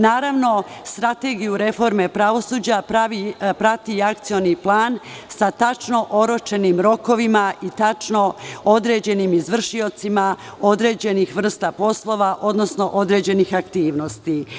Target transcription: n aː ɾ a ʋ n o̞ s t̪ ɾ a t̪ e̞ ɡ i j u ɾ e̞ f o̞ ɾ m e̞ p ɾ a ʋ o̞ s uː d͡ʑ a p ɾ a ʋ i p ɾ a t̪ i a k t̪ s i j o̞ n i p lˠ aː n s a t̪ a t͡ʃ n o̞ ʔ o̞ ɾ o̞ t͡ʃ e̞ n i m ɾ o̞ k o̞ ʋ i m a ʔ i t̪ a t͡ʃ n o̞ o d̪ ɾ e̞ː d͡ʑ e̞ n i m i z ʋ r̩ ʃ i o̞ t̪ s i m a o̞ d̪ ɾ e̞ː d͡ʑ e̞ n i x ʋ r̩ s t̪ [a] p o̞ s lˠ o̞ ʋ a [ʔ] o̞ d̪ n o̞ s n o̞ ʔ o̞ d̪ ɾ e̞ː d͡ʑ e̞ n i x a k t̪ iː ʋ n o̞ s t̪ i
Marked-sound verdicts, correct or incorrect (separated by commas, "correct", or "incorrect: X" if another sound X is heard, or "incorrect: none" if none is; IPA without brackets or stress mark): correct, correct